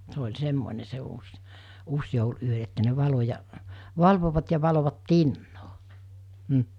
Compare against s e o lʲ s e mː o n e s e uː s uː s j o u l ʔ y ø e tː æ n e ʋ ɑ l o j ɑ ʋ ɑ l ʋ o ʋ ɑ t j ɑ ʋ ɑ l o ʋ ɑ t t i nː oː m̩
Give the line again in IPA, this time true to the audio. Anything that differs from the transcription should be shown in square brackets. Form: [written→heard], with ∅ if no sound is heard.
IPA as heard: s e o lʲ s e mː o n e s e uː s uː s j o u l ʔ y ø e tː æ n e ʋ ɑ l o j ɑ ʋ ɑ l ʋ o ʋ ɑ t j ɑ ʋ ɑ l o ʋ ɑ t t i nː oː m̩